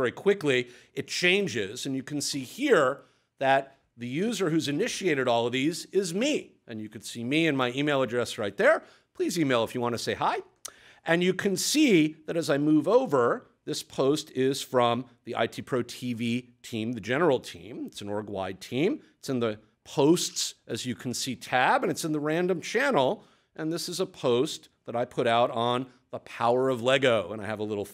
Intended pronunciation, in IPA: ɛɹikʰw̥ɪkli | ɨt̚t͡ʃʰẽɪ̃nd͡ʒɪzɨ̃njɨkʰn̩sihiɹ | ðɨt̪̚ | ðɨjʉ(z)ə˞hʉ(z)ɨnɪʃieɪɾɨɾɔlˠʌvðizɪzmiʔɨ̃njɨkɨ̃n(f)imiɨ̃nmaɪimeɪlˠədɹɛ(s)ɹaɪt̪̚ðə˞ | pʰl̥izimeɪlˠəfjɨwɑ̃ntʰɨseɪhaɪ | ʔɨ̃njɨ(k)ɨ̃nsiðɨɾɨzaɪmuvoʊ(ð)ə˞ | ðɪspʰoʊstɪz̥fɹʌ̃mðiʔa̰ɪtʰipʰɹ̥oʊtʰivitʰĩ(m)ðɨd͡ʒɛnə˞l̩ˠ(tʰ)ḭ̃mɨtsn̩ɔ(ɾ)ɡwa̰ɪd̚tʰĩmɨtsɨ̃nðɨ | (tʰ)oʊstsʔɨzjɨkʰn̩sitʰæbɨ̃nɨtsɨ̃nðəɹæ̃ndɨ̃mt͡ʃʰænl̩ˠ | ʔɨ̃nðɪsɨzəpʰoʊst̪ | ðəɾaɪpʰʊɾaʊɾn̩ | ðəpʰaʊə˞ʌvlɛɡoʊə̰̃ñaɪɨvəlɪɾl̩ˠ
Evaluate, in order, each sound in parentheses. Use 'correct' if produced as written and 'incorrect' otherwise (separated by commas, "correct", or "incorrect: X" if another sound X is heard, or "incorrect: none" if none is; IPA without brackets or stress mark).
correct, correct, incorrect: s, correct, incorrect: kʰ, incorrect: v, correct, correct, incorrect: ɹ, incorrect: pʰ